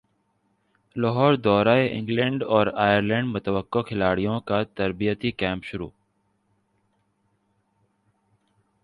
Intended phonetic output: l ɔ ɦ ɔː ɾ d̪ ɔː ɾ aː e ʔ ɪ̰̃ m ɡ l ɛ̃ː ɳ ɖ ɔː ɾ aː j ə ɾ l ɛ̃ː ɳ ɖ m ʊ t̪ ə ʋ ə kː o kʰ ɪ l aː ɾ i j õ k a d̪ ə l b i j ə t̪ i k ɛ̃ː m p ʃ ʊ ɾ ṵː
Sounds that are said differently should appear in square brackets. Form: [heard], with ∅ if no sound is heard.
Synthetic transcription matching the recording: l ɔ ɦ ɔː ɾ d̪ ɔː ɾ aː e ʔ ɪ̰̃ [ŋ] ɡ l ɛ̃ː ɳ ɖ ɔː ɾ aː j ə ɾ l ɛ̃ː ɳ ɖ m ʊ t̪ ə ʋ ə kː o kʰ ɪ l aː [ɽ] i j õ k a [t̪] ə [ɾ] b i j ə t̪ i k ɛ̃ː m p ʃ ʊ ɾ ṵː